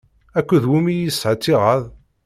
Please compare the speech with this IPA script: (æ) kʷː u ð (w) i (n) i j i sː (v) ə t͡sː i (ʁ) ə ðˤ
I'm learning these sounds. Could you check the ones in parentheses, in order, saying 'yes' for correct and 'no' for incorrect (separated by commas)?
yes, yes, no, no, yes